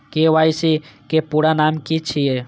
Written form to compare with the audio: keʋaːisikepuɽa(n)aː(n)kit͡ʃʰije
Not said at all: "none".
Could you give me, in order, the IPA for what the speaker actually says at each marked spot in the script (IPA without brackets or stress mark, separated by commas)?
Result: n, m